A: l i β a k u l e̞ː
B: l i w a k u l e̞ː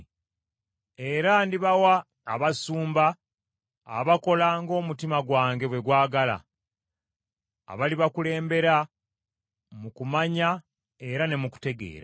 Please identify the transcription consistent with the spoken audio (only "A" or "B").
A